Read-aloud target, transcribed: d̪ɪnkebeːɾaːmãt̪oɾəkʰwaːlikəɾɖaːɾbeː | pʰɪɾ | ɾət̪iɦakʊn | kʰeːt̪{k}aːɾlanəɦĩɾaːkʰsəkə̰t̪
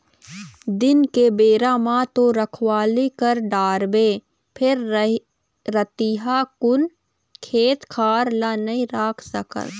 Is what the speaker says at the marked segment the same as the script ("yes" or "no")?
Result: no